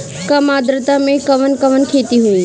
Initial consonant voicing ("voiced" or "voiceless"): voiceless